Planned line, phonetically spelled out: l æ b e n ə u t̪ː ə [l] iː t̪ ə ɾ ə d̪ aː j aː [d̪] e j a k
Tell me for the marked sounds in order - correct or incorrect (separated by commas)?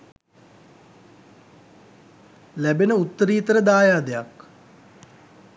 incorrect, correct